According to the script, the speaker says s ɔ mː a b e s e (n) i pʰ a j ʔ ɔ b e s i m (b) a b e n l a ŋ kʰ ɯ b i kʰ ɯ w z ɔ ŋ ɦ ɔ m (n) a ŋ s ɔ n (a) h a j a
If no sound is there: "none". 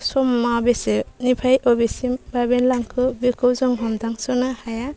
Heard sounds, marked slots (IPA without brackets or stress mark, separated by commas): n, b, d, a